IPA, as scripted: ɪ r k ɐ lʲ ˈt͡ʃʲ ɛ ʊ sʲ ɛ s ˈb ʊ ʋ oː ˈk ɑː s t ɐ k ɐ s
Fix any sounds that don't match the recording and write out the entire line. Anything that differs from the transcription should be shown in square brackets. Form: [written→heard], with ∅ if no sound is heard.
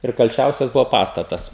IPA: ɪ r k ɐ lʲ ˈt͡ʃʲ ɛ ʊ sʲ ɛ s ˈb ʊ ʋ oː [ˈk→ˈp] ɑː s t ɐ [k→t] ɐ s